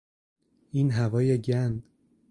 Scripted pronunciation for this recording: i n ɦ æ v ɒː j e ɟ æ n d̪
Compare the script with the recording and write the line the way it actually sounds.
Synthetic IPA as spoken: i n ɦ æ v ɒː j e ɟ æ n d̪